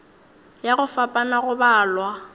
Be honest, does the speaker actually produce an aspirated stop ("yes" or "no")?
no